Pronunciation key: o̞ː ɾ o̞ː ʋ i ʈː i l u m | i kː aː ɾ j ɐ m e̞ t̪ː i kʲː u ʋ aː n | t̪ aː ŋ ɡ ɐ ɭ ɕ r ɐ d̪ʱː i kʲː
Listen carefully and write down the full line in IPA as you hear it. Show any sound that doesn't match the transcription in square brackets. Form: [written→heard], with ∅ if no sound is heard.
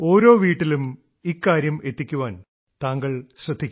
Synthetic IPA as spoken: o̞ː ɾ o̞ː ʋ [i→iː] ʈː i l u m | i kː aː ɾ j ɐ m e̞ t̪ː i kʲː u ʋ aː n | t̪ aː ŋ ɡ ɐ ɭ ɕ r ɐ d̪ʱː i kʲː